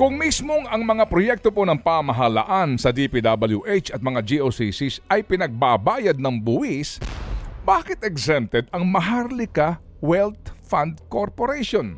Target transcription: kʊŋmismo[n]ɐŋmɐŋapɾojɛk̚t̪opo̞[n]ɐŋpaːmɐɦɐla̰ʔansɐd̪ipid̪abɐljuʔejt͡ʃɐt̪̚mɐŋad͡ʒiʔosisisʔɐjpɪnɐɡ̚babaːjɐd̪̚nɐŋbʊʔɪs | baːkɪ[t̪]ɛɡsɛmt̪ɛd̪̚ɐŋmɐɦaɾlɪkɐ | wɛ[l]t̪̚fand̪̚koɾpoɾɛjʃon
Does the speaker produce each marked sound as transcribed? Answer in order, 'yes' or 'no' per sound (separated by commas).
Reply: no, yes, yes, yes